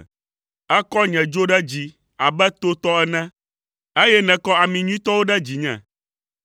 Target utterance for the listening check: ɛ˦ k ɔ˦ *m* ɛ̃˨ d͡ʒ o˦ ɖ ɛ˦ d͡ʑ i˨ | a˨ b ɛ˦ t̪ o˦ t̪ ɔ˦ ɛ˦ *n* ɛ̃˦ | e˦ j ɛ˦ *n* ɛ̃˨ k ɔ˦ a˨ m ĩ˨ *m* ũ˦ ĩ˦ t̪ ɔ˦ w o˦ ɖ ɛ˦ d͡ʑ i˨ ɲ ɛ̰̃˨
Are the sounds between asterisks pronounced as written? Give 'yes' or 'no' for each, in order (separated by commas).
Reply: no, yes, yes, no